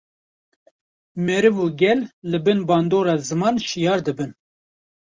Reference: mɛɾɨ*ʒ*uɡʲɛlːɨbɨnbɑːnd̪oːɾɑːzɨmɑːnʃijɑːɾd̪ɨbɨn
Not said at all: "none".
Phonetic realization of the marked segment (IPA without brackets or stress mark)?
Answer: v